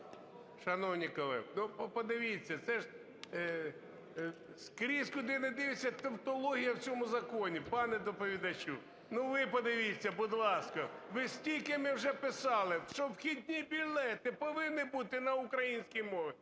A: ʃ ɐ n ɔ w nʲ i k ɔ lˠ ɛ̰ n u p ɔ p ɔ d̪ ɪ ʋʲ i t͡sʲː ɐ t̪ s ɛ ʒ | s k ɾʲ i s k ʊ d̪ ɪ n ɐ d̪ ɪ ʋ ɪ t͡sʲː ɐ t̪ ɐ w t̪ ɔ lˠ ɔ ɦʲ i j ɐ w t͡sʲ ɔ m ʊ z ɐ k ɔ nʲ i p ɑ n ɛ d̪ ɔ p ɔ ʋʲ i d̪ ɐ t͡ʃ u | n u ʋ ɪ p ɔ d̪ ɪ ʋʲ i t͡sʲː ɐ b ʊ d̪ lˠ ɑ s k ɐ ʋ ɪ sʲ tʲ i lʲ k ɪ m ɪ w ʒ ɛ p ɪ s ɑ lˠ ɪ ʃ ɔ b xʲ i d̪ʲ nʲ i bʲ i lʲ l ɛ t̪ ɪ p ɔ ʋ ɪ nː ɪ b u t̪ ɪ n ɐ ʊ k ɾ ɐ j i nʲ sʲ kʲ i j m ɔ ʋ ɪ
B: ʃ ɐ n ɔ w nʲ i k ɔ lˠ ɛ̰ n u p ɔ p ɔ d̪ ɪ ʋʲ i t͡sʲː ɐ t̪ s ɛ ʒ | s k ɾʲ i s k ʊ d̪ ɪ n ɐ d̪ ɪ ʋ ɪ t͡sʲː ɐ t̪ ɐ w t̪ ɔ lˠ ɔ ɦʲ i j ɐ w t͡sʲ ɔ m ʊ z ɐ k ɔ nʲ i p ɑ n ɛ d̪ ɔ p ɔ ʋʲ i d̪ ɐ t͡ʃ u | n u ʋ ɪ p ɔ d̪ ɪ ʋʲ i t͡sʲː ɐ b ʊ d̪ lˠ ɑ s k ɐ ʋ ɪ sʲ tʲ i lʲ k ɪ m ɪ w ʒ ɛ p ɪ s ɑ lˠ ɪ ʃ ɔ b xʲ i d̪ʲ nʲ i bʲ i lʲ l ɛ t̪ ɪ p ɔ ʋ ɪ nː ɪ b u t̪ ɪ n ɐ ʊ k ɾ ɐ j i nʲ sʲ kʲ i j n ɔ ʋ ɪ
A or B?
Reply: A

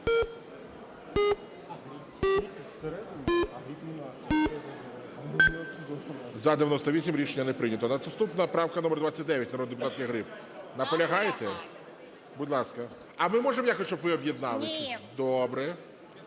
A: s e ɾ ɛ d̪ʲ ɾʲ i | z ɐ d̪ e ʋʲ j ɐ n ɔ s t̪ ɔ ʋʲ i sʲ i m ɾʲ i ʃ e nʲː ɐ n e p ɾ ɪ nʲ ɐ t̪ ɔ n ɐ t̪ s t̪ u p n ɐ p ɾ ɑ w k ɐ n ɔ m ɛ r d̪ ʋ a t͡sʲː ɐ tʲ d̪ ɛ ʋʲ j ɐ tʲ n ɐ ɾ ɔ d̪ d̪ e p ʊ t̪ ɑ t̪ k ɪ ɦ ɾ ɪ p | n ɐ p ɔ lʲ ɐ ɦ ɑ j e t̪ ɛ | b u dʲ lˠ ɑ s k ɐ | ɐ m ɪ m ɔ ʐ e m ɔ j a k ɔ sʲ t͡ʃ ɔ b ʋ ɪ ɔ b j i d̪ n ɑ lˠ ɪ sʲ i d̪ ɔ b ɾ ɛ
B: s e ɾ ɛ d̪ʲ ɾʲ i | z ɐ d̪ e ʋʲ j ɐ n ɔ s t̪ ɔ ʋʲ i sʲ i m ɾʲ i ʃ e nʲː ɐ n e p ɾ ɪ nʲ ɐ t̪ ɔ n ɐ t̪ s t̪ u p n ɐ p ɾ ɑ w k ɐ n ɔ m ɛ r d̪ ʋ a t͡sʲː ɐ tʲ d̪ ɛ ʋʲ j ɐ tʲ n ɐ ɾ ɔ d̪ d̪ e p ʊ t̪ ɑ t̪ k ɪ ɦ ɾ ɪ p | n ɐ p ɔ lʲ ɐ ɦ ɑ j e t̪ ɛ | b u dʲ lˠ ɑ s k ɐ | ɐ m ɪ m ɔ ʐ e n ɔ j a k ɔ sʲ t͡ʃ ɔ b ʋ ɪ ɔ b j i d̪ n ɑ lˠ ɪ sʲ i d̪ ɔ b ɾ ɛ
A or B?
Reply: A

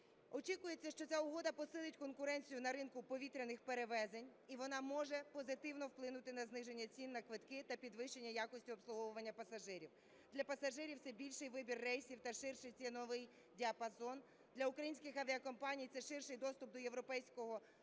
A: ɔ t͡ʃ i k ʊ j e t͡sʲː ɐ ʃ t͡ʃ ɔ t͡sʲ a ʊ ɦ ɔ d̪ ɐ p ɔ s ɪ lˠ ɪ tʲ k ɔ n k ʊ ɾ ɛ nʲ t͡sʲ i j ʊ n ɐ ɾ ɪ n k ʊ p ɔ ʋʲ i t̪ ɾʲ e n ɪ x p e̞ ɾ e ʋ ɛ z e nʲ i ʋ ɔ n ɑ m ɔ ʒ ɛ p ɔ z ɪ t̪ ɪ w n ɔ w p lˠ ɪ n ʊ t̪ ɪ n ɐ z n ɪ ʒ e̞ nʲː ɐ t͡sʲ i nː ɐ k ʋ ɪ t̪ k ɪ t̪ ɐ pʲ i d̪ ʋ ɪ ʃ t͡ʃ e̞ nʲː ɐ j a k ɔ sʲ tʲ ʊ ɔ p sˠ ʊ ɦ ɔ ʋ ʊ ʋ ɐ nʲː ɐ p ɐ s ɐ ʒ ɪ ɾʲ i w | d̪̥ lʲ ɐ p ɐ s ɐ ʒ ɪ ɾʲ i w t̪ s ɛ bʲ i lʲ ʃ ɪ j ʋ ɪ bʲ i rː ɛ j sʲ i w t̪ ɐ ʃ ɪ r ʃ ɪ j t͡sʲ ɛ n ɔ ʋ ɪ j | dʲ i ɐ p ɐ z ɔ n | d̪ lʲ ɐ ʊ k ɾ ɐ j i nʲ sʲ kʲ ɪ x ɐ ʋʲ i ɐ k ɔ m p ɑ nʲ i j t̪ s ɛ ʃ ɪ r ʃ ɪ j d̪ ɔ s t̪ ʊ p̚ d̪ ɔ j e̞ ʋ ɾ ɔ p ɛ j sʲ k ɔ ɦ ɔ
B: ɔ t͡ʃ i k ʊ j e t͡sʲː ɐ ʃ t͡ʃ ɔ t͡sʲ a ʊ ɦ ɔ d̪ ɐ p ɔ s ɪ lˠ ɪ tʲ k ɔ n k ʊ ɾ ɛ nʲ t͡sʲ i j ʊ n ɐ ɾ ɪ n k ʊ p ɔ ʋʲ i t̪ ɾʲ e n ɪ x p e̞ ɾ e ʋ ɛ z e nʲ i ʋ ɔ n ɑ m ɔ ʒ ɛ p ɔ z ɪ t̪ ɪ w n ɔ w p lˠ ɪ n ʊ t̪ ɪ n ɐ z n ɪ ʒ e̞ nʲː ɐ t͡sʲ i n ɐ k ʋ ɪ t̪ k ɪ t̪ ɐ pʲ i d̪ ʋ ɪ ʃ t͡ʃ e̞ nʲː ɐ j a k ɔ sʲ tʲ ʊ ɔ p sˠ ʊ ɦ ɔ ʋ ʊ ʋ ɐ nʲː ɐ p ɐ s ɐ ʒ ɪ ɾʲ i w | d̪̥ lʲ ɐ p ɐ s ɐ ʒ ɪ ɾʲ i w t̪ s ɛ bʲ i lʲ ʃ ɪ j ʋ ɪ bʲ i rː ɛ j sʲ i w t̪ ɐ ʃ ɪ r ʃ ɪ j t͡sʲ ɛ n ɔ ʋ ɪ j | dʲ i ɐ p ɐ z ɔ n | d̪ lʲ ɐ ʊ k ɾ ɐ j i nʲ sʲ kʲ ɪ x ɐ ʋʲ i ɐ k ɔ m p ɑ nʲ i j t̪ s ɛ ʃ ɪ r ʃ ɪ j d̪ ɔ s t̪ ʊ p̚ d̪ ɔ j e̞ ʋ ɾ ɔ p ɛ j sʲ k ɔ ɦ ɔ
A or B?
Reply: A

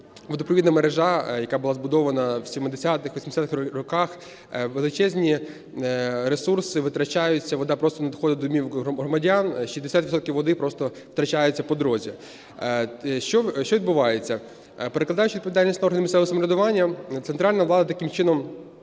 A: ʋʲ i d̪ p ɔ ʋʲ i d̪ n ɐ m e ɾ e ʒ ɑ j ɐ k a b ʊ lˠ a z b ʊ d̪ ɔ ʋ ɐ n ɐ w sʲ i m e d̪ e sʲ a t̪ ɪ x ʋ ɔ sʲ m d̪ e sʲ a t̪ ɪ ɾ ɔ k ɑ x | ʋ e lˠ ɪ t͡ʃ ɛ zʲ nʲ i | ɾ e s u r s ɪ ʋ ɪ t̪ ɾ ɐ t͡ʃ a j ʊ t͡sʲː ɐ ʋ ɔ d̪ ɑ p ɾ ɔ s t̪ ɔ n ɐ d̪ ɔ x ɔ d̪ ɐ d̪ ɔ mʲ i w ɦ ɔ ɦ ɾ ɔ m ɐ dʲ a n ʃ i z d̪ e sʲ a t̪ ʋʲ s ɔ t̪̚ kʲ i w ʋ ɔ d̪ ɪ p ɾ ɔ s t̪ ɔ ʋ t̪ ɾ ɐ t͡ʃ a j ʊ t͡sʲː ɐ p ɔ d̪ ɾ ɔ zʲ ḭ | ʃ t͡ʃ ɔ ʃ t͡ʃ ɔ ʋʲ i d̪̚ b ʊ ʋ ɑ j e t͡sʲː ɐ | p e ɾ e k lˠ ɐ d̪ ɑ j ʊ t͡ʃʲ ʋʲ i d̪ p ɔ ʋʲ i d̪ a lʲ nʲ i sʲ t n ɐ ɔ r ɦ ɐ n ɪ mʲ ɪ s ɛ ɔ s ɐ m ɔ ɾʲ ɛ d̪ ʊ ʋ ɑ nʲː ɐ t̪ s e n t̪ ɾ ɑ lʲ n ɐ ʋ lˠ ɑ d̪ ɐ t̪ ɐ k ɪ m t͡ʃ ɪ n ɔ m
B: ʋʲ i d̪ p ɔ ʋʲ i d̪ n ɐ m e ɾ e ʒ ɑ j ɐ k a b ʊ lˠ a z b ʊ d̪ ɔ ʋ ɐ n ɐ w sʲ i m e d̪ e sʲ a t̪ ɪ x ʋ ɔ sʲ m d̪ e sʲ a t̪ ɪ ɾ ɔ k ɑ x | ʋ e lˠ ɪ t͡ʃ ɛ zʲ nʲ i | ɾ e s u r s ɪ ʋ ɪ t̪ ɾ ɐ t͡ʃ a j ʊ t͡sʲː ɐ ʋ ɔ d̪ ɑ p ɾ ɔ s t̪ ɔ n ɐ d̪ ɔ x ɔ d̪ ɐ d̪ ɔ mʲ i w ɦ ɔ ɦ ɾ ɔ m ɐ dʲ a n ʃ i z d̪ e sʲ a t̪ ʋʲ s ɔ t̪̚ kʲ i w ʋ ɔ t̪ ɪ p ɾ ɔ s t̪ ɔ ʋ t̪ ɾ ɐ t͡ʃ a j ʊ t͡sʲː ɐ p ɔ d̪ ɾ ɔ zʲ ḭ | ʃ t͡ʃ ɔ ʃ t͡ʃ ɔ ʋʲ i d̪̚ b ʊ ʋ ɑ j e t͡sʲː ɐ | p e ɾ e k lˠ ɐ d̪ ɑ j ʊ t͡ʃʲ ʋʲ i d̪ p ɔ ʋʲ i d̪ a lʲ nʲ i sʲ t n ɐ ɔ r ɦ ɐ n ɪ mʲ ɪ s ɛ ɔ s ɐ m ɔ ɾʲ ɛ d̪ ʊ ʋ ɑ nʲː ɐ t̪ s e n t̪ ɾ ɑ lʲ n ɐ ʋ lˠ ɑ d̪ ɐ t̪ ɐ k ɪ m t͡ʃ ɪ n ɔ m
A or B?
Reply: A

